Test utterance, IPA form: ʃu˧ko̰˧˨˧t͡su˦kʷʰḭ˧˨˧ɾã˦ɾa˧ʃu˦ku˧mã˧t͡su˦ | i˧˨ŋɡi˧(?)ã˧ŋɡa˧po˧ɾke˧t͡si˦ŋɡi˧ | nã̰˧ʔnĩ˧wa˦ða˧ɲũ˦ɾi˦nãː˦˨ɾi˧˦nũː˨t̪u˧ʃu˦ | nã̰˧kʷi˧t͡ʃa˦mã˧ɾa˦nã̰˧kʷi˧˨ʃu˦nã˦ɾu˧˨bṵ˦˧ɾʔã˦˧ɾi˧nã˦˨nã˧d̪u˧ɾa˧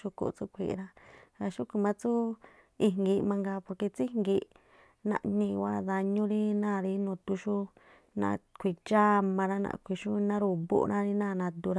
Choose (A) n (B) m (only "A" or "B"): B